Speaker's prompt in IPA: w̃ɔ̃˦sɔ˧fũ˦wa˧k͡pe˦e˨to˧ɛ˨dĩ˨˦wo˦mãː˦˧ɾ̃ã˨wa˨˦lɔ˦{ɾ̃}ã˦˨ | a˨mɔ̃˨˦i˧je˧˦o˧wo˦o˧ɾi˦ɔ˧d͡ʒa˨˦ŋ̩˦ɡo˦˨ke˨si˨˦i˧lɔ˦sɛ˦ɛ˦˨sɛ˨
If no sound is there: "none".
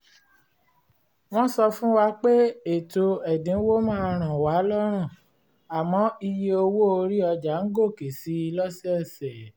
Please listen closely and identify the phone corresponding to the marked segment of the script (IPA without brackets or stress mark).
ɾ̃